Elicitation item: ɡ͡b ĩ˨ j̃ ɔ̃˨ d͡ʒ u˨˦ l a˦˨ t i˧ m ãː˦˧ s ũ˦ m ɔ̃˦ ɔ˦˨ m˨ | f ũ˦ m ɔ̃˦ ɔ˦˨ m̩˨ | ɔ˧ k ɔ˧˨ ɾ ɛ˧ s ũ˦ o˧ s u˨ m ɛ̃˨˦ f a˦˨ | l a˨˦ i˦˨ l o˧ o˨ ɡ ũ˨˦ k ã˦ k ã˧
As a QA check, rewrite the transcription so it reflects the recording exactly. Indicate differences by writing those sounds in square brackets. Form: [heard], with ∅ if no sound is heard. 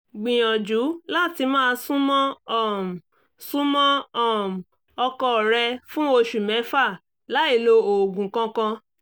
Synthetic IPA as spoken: ɡ͡b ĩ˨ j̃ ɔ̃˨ d͡ʒ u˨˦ l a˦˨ t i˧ m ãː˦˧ s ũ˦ m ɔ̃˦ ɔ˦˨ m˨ | [s] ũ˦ m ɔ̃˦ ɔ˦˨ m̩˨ | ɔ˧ k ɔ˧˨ ɾ ɛ˧ [f] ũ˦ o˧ [ʃ] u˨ m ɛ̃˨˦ f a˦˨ | l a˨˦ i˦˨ l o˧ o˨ ɡ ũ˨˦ k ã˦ k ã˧